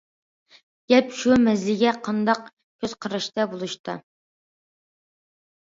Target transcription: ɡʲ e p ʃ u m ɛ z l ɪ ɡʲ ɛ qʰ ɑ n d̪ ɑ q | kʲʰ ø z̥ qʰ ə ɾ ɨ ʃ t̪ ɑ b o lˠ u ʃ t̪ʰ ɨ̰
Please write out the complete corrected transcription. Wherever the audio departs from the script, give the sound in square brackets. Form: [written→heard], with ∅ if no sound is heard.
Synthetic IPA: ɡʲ [e→ɛ] p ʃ u m ɛ z l ɪ ɡʲ ɛ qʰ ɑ n d̪ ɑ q | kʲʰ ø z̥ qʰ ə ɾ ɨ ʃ t̪ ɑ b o lˠ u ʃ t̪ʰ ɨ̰